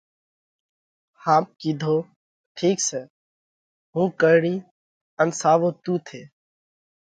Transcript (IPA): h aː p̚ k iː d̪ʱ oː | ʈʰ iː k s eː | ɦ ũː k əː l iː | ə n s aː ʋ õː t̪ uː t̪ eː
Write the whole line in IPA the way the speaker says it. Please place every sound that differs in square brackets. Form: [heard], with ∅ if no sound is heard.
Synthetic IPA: h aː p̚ k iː d̪ʱ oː | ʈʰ iː k s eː | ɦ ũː k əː [ɽ] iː | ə n s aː ʋ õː t̪ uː [t̪ʰ] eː

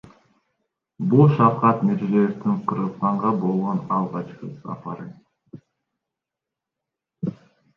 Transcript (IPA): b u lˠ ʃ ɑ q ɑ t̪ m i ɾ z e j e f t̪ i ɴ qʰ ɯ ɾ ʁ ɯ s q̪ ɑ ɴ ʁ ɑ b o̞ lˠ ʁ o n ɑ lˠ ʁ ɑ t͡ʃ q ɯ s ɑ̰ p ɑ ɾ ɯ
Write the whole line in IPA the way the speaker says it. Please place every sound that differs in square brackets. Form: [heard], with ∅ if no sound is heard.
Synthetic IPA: b u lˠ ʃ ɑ q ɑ t̪ m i ɾ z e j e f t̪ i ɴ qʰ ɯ ɾ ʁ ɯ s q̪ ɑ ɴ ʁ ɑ b o̞ lˠ ʁ o n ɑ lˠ ʁ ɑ t͡ʃ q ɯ s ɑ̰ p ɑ ɾ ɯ

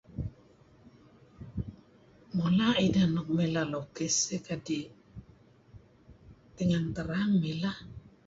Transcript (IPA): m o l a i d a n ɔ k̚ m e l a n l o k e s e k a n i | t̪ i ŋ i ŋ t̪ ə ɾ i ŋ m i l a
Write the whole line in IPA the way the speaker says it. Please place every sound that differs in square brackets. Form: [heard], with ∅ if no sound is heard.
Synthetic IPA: m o l a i d a n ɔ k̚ m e l a [∅] l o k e s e k a [d] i | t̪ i ŋ [a] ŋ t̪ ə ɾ [a] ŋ m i l a

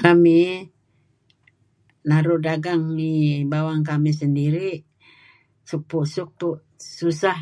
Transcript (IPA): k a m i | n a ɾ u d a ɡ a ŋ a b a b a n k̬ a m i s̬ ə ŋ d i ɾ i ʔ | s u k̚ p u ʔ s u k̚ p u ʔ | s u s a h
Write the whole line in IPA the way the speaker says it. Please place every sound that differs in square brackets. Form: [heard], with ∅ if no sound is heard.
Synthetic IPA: k a m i | n a ɾ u d a ɡ a ŋ [i] b a [w] a [ŋ] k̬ a m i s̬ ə [n] d i ɾ i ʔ | s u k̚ p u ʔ s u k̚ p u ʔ | s u s a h

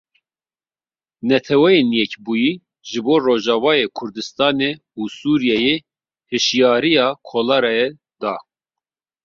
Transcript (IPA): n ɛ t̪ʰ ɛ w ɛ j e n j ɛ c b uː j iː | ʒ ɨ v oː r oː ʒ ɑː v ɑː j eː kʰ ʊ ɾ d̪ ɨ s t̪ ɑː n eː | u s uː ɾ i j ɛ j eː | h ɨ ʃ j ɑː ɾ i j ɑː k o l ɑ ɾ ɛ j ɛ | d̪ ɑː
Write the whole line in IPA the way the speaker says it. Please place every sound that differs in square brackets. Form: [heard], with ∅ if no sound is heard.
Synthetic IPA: n ɛ t̪ʰ ɛ w ɛ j e n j ɛ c b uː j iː | ʒ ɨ [b] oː r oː ʒ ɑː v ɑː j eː kʰ ʊ ɾ d̪ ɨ s t̪ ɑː n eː | u s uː ɾ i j ɛ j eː | h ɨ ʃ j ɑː ɾ i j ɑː [kʰ] o l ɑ ɾ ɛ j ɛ | d̪ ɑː

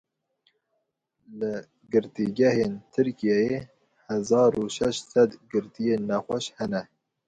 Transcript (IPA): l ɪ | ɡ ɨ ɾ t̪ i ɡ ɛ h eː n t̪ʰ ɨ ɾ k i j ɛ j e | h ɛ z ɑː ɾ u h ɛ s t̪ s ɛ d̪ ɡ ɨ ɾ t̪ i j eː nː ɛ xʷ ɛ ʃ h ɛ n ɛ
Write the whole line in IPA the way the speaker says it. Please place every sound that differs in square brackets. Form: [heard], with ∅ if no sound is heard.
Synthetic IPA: l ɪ | ɡ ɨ ɾ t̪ i ɡ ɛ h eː n t̪ʰ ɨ ɾ k i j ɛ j e | h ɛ z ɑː ɾ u [ʃ] ɛ [ʃ] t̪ s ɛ d̪ ɡ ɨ ɾ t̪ i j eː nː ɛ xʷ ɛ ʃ h ɛ n ɛ

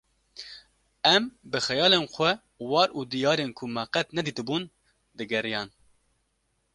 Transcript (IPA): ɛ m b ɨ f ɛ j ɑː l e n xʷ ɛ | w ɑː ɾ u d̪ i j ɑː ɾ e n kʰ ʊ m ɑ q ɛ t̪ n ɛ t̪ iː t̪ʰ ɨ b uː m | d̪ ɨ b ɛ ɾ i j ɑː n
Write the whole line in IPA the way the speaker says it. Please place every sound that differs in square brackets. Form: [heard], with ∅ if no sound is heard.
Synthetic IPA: ɛ m b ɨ [x] ɛ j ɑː l e n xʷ ɛ | w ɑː ɾ u d̪ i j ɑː ɾ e n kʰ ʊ m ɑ q ɛ t̪ n ɛ [d̪] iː [t̪] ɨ b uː [n] | d̪ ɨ [ɡ] ɛ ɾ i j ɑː n

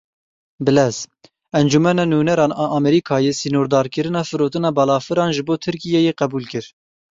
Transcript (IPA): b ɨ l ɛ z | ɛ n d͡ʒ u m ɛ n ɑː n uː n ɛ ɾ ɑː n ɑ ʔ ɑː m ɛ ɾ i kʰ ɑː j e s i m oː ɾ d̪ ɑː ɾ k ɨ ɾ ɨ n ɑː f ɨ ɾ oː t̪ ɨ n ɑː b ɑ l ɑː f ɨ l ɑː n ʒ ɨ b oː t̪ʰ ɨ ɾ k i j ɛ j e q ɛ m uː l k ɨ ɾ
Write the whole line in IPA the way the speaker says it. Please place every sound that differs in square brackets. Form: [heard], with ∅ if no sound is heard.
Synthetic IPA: b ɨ l ɛ z | ɛ n d͡ʒ u m ɛ n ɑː n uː n ɛ ɾ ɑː n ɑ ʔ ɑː m ɛ ɾ i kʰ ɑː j e s i [n] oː ɾ d̪ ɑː ɾ k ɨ ɾ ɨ n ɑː f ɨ ɾ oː t̪ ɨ n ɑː b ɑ l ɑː f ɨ [ɾ] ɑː n ʒ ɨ b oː t̪ʰ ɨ ɾ k i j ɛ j e q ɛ [b] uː l k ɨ ɾ

